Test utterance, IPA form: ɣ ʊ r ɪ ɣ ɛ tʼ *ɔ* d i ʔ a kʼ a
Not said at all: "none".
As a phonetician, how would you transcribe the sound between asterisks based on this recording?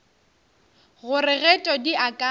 ɔ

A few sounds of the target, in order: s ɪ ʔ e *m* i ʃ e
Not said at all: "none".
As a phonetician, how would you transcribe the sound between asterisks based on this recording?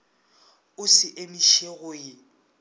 m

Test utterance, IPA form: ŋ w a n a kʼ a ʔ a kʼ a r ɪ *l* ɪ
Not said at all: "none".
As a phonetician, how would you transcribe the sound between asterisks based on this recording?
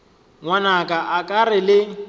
l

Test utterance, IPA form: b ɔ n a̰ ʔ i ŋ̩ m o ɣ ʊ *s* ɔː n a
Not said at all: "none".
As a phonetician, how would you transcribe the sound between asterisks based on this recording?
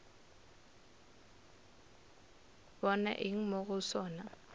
s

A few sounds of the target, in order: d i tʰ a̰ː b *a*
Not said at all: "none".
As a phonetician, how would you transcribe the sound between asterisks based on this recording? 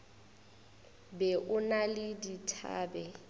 ɛ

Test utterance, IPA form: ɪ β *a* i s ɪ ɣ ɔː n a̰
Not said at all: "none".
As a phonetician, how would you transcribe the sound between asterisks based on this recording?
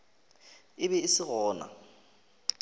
ɛ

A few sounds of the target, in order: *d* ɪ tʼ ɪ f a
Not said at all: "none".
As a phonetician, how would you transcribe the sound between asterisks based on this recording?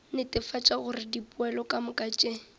n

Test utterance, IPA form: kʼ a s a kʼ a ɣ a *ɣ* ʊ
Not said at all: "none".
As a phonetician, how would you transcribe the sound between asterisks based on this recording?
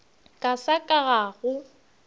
ɣ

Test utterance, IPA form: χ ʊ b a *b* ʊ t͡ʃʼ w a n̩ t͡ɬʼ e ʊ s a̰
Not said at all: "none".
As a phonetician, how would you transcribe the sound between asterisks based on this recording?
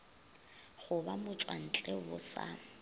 m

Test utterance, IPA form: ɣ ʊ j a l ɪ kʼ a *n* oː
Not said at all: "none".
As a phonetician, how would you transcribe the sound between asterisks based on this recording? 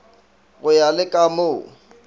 m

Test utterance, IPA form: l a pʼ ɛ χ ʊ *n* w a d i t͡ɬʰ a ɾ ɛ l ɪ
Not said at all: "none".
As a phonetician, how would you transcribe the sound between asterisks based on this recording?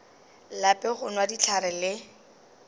n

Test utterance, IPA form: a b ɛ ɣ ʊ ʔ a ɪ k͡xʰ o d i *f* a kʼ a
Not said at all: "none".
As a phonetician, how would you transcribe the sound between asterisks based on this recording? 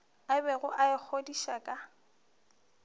ʃ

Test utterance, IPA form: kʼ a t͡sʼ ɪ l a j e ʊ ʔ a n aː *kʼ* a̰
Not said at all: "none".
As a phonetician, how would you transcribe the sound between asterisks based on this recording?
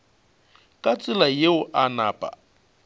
pʼ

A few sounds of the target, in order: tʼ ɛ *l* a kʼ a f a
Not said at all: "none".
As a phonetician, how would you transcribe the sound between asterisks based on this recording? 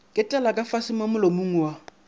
l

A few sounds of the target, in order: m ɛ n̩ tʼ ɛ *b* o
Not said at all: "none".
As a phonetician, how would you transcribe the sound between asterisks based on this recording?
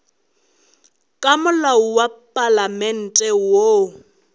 w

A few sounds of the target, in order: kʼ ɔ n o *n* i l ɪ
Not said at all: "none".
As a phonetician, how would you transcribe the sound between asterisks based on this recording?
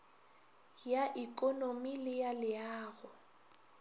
m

